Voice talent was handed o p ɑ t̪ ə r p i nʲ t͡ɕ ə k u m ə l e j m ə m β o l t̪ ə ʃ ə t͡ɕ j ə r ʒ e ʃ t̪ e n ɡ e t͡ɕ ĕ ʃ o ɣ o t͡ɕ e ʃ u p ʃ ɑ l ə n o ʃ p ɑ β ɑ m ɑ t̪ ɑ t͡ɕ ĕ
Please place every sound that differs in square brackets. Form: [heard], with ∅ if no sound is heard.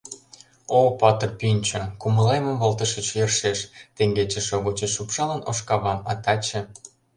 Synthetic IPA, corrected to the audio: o p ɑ t̪ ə r p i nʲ t͡ɕ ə k u m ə l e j m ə m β o l t̪ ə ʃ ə t͡ɕ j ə r [ʃ] e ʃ t̪ e [ŋ] ɡ e t͡ɕ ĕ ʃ o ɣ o t͡ɕ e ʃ u p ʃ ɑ l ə n o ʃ [k] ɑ β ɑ m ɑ t̪ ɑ t͡ɕ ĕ